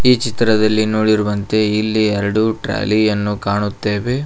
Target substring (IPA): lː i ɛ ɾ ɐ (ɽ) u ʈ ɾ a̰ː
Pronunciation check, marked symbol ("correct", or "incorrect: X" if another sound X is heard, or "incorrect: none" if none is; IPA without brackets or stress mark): correct